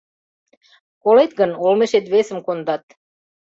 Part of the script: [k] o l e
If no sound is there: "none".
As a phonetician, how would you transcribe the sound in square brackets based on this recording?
k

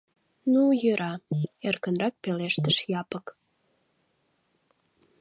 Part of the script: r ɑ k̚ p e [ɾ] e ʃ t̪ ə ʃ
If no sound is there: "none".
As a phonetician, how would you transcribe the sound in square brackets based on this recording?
l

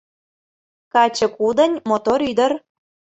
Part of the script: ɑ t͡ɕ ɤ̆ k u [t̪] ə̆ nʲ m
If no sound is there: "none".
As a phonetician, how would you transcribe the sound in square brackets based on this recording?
d̪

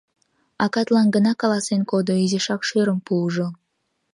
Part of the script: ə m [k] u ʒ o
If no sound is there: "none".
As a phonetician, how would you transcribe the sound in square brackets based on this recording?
p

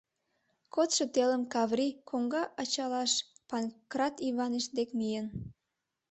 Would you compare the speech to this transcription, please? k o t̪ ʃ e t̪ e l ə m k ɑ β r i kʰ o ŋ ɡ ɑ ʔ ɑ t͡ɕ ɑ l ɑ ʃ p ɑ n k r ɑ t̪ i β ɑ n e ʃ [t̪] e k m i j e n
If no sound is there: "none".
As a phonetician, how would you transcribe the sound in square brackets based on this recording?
d̪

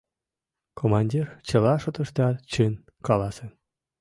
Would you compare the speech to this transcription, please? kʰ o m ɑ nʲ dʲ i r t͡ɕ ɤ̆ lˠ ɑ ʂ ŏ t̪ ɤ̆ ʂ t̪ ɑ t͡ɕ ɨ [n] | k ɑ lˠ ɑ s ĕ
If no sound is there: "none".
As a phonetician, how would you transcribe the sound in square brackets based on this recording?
n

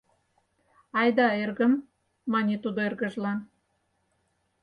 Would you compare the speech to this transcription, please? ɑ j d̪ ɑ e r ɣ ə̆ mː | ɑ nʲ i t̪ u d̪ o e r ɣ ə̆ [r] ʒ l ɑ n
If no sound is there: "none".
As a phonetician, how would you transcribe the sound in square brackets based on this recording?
none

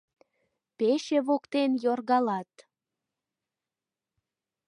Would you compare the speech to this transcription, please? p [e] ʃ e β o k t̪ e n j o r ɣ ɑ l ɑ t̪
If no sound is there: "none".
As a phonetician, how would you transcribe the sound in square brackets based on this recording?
e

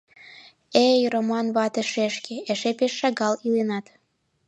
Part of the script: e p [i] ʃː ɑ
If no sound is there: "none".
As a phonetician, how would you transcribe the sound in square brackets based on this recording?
e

